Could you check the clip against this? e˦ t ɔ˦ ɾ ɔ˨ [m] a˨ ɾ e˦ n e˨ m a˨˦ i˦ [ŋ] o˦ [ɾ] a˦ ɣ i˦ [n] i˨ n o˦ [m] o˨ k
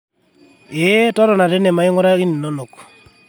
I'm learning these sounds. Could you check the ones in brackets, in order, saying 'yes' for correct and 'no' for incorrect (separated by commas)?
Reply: no, yes, yes, yes, no